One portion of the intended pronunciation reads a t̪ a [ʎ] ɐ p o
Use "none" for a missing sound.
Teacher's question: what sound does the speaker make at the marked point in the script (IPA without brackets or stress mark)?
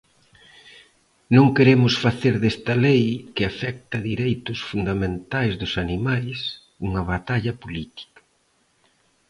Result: ʎ